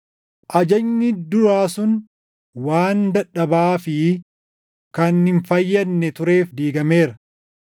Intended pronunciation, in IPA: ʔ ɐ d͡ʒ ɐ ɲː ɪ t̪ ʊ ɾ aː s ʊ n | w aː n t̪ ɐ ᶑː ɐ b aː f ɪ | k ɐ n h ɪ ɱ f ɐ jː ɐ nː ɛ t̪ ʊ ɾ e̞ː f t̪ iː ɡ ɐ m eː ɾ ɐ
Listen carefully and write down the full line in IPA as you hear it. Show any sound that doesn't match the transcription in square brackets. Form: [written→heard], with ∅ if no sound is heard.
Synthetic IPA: ʔ ɐ d͡ʒ ɐ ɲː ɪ [t̪→d̪] ʊ ɾ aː s ʊ n | w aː n [t̪→d̪] ɐ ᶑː ɐ b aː f ɪ | k ɐ n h ɪ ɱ f ɐ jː ɐ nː ɛ t̪ ʊ ɾ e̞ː f [t̪→d̪] iː ɡ ɐ m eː ɾ ɐ

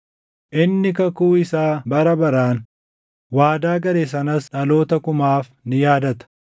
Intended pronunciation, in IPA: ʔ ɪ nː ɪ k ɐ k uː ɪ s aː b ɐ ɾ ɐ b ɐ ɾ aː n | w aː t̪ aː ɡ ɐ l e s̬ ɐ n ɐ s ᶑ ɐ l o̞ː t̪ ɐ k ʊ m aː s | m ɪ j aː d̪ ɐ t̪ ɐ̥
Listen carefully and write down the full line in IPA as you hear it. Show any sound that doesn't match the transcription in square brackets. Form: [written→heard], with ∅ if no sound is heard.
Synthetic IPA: ʔ ɪ nː ɪ k ɐ k uː ɪ s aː b ɐ ɾ ɐ b ɐ ɾ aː n | w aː [t̪→d̪] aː ɡ ɐ [l→ɾ] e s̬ ɐ n ɐ s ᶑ ɐ l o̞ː t̪ ɐ k ʊ m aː [s→f] | [m→n] ɪ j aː d̪ ɐ t̪ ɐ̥

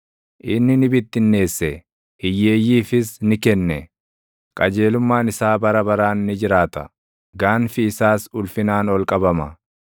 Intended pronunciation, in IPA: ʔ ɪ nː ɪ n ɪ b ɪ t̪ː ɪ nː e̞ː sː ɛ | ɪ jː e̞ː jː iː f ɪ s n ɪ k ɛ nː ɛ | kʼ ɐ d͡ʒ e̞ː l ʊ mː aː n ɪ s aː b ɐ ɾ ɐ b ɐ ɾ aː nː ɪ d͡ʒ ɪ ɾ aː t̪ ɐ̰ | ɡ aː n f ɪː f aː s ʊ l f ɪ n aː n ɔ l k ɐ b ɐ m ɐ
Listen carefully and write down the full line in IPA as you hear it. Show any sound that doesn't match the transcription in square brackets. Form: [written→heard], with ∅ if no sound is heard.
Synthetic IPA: ʔ ɪ nː ɪ n ɪ b ɪ t̪ː ɪ nː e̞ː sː ɛ | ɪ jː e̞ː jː iː f ɪ s n ɪ k ɛ nː ɛ | kʼ ɐ d͡ʒ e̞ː l ʊ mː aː n ɪ s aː b ɐ ɾ ɐ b ɐ ɾ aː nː ɪ d͡ʒ ɪ ɾ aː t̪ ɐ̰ | ɡ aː n f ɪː [f→s] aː s ʊ l f ɪ n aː n ɔ l [k→kʼ] ɐ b ɐ m ɐ

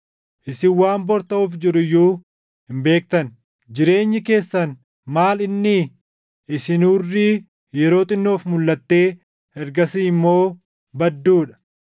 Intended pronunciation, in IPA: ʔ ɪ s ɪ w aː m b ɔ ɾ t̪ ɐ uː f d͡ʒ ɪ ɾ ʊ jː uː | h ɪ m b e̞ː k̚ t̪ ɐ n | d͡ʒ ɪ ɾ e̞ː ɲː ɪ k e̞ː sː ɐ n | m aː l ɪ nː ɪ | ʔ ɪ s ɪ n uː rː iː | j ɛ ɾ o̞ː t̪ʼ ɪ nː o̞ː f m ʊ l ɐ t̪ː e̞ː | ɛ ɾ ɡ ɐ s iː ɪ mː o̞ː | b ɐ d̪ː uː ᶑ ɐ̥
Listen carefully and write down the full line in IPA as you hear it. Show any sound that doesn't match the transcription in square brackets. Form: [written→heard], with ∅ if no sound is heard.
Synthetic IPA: ʔ ɪ s ɪ w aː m b ɔ ɾ t̪ ɐ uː f d͡ʒ ɪ ɾ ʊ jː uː | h ɪ m b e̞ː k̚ t̪ ɐ n | d͡ʒ ɪ ɾ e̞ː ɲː ɪ k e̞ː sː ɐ n | m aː l ɪ nː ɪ | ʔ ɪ s ɪ n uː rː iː | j ɛ ɾ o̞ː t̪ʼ ɪ nː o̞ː f m ʊ [l→lː] ɐ t̪ː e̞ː | ɛ ɾ ɡ ɐ s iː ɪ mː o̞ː | b ɐ d̪ː uː ᶑ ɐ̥

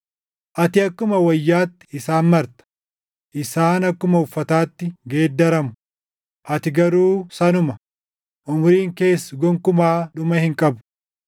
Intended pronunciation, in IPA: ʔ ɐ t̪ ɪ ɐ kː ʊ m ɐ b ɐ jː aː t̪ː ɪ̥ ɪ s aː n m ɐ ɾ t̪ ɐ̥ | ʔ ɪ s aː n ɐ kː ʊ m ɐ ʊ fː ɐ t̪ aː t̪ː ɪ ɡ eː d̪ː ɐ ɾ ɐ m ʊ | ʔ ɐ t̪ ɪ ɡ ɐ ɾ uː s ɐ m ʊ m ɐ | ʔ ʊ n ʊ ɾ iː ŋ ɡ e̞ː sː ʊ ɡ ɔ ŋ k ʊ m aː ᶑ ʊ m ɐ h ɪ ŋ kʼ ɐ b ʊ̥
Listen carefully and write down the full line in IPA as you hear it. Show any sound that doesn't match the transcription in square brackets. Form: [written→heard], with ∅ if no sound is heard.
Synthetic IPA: ʔ ɐ t̪ ɪ ɐ kː ʊ m ɐ [b→w] ɐ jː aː t̪ː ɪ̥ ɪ s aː n m ɐ ɾ t̪ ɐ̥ | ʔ ɪ s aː n ɐ kː ʊ m ɐ ʊ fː ɐ t̪ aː t̪ː ɪ ɡ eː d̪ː ɐ ɾ ɐ m ʊ | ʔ ɐ t̪ ɪ ɡ ɐ ɾ uː s ɐ [m→n] ʊ m ɐ | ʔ ʊ [n→m] ʊ ɾ iː ŋ [ɡ→k] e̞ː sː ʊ ɡ ɔ ŋ k ʊ m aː ᶑ ʊ m ɐ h ɪ ŋ kʼ ɐ b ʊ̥

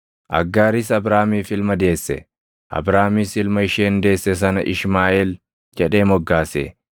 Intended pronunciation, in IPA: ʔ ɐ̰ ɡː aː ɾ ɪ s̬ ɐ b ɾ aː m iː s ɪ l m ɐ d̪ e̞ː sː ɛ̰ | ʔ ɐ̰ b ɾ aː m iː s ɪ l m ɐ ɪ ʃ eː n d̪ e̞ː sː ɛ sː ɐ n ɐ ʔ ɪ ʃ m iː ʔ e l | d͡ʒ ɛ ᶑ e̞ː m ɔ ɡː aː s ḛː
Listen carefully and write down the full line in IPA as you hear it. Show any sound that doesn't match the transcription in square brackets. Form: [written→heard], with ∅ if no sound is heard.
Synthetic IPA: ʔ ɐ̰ ɡː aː ɾ ɪ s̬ ɐ b ɾ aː m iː [s→f] ɪ l m ɐ d̪ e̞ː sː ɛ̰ | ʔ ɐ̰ b ɾ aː m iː s ɪ l m ɐ ɪ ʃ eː n d̪ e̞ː sː ɛ [sː→s] ɐ n ɐ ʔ ɪ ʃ m [iː→aː] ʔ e l | d͡ʒ ɛ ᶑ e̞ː m ɔ ɡː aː s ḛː

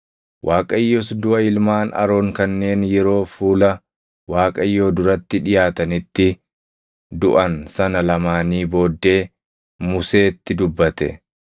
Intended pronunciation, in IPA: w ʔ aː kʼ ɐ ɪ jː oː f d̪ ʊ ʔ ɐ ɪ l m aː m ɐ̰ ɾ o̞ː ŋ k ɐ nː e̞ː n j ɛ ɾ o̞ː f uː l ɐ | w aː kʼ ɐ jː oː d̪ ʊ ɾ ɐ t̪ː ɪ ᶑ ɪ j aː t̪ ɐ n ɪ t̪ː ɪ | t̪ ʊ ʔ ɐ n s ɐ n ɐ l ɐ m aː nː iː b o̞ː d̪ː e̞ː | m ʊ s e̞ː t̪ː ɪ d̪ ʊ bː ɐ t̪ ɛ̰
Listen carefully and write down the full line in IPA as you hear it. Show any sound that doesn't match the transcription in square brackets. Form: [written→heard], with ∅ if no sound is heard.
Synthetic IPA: w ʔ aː kʼ ɐ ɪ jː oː [f→s] d̪ ʊ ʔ ɐ ɪ l m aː [m→n] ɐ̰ ɾ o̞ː ŋ k ɐ nː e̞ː n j ɛ ɾ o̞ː f uː l ɐ | w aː kʼ ɐ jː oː d̪ ʊ ɾ ɐ t̪ː ɪ ᶑ ɪ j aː t̪ ɐ n ɪ t̪ː ɪ | [t̪→d̪] ʊ ʔ ɐ n s ɐ n ɐ l ɐ m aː [nː→n] iː b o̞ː d̪ː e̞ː | m ʊ s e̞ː t̪ː ɪ d̪ ʊ bː ɐ t̪ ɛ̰

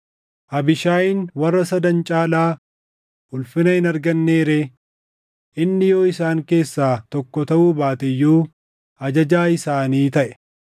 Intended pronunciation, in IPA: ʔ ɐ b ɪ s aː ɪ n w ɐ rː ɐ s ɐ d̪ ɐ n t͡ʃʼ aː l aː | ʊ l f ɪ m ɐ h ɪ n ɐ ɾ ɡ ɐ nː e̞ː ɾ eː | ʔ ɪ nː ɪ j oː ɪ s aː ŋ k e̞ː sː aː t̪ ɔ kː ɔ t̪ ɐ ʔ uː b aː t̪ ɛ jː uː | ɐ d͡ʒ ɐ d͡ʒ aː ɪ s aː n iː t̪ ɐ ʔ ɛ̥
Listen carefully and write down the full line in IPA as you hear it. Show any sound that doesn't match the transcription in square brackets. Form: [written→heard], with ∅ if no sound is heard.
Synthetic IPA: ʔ ɐ b ɪ [s→ʃ] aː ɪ n w ɐ rː ɐ s ɐ d̪ ɐ n t͡ʃʼ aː l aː | ʊ l f ɪ [m→n] ɐ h ɪ n ɐ ɾ ɡ ɐ nː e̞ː ɾ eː | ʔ ɪ nː ɪ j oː ɪ s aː ŋ k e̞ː sː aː t̪ ɔ kː ɔ t̪ ɐ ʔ uː b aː t̪ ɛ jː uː | ɐ d͡ʒ ɐ d͡ʒ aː ɪ s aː n iː t̪ ɐ ʔ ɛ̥

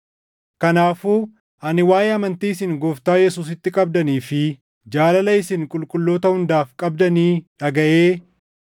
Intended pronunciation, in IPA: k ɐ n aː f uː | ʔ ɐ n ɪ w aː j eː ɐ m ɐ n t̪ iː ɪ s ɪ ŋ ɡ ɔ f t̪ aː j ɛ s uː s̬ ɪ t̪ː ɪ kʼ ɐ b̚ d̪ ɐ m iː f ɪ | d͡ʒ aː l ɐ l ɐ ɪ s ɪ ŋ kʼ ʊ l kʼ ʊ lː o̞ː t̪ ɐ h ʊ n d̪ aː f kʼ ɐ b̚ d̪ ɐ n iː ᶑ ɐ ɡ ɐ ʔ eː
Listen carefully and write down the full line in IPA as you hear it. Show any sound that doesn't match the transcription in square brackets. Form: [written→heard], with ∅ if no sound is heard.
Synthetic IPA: k ɐ n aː f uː | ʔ ɐ n ɪ w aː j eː ɐ m ɐ n t̪ iː ɪ s ɪ ŋ ɡ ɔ f t̪ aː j ɛ s uː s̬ ɪ t̪ː ɪ kʼ ɐ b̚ d̪ ɐ [m→n] iː f ɪ | d͡ʒ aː l ɐ l ɐ ɪ s ɪ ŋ kʼ ʊ l kʼ ʊ lː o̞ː t̪ ɐ h ʊ n d̪ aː f kʼ ɐ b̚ d̪ ɐ n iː ᶑ ɐ ɡ ɐ ʔ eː

